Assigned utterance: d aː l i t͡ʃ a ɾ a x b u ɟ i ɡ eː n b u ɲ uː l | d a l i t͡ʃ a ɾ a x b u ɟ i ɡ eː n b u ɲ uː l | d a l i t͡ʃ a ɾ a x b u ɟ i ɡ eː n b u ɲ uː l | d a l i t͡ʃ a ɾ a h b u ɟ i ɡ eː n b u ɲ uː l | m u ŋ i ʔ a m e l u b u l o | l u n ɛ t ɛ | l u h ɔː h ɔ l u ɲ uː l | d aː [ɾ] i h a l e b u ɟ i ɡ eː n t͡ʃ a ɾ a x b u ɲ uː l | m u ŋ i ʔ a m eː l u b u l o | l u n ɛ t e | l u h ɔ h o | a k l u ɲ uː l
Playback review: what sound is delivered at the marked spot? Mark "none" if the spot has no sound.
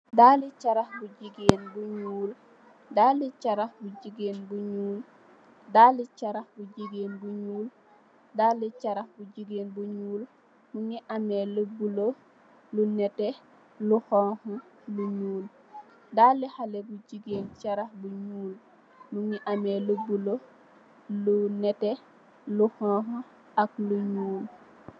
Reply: l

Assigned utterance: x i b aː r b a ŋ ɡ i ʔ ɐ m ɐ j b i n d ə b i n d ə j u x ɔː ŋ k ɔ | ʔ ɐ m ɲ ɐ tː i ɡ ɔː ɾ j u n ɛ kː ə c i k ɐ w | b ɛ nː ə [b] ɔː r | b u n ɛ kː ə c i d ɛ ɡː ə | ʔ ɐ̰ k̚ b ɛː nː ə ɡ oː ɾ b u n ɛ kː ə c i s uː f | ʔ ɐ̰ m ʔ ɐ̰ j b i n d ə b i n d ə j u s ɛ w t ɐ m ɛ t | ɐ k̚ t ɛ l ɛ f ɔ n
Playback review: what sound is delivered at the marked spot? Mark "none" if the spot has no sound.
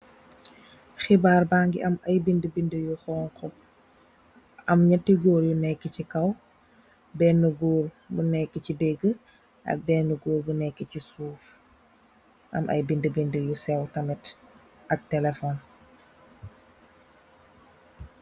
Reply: ɡ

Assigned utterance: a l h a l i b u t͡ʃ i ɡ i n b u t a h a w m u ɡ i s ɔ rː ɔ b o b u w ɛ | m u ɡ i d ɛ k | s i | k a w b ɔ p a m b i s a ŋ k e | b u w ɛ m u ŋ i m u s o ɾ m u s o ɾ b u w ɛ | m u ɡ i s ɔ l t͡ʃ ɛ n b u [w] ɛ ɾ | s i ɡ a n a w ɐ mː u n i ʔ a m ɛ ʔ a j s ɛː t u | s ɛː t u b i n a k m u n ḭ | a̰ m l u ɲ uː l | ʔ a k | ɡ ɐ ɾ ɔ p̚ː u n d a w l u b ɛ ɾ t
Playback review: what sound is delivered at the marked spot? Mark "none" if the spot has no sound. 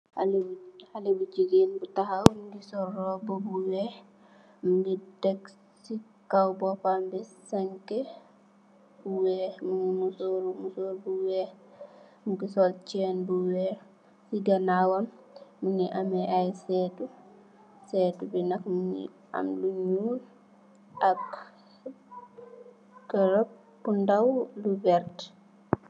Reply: w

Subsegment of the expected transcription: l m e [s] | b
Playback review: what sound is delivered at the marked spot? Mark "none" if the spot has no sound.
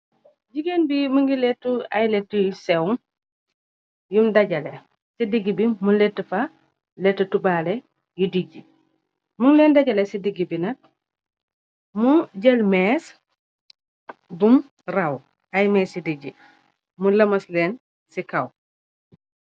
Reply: s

